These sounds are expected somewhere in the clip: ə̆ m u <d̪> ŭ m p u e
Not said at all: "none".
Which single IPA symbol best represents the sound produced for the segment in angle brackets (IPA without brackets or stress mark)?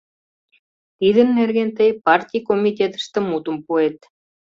t̪